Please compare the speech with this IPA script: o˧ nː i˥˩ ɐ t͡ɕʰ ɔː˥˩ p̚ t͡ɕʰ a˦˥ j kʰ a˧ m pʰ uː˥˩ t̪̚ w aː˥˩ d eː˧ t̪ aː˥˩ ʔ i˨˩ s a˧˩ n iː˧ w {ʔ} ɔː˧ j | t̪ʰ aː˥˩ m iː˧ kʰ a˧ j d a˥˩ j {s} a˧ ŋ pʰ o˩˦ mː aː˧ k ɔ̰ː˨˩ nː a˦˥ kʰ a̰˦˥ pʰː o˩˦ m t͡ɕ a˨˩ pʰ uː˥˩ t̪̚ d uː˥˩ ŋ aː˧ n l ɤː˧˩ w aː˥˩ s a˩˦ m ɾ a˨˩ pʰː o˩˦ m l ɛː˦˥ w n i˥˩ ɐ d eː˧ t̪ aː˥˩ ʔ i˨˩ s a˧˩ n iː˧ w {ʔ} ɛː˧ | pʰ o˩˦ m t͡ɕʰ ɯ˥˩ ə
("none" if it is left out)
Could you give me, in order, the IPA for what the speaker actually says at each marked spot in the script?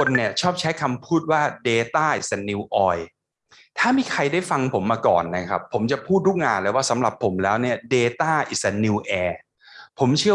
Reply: ʔ, f, ʔ

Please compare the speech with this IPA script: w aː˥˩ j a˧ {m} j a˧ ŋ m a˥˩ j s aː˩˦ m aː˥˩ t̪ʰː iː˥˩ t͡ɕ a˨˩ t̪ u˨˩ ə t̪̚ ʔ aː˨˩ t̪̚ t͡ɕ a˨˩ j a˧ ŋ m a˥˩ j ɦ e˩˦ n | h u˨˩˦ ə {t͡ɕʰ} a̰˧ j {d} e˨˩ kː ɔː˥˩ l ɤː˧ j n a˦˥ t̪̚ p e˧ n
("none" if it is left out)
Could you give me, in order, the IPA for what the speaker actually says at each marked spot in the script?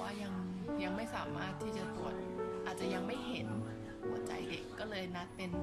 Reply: ŋ, t͡ɕ, d

